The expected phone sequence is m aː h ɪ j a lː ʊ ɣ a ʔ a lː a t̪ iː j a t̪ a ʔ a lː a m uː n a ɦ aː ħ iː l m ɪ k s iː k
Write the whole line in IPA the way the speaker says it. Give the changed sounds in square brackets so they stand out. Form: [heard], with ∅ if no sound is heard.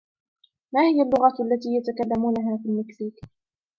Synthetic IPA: m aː h ɪ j a lː ʊ ɣ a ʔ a lː a t̪ iː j a t̪ a [k] a lː a m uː n a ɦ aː [f] iː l m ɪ k s iː k